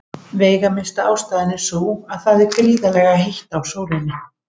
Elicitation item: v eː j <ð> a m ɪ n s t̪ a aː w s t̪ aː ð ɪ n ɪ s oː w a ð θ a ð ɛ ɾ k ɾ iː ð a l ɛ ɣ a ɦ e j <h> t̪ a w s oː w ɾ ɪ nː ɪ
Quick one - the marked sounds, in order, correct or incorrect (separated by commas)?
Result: incorrect, correct